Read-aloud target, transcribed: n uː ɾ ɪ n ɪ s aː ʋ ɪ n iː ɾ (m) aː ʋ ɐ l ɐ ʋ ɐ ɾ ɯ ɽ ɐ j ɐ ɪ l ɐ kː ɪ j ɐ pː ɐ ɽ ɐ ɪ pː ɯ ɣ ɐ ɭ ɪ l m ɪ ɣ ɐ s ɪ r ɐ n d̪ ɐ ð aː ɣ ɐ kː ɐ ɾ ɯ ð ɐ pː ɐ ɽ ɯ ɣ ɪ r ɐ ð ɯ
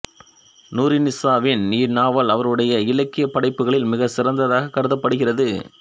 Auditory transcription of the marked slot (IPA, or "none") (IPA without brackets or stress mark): n